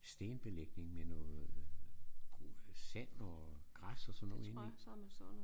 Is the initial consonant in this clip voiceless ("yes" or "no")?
yes